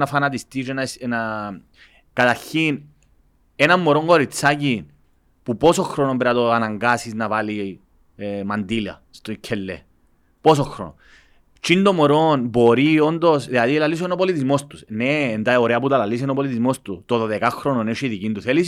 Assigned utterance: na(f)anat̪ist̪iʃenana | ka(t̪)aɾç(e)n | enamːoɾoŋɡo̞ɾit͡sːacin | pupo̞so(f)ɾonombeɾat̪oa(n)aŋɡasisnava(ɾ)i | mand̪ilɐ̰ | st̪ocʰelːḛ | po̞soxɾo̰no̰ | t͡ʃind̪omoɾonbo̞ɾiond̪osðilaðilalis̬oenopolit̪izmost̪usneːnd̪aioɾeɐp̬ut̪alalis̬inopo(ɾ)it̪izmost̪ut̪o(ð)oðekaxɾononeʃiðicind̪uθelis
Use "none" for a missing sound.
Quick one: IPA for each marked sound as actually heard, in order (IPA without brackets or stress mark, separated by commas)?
f, t̪, i, x, n, l, l, ð